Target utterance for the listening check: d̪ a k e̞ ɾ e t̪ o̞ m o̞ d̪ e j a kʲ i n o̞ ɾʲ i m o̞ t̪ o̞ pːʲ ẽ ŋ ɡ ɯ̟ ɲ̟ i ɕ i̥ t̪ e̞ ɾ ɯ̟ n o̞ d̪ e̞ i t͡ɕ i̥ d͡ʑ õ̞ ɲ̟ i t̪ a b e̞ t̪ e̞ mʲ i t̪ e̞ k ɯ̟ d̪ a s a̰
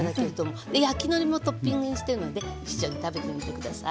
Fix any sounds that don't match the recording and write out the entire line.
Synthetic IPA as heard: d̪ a k e̞ ɾ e d̪ o̞ m o̞ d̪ e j a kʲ i n o̞ ɾʲ i m o̞ t̪ o̞ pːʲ ĩ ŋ ɡ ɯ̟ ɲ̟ i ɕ i̥ t̪ e̞ ɾ ɯ̟ n o̞ d̪ e̞ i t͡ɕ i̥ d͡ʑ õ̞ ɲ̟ i t̪ a b e̞ t̪ e̞ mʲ i t̪ e̞ k ɯ̟ d̪ a s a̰